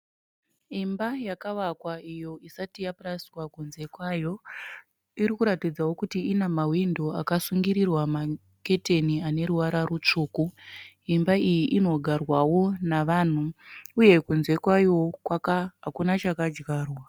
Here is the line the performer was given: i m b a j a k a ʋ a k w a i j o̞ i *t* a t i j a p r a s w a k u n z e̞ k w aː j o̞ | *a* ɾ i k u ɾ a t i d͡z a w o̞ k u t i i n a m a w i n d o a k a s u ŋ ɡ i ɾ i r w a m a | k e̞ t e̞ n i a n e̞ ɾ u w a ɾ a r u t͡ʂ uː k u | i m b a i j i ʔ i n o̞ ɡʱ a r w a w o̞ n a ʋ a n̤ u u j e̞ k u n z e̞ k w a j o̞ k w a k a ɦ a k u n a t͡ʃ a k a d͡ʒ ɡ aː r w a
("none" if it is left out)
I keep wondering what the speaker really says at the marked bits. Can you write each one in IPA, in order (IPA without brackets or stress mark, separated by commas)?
s, i